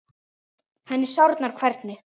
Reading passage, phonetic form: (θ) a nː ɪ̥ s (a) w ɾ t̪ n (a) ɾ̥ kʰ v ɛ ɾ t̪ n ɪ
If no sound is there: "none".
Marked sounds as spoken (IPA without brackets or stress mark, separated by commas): h, a, a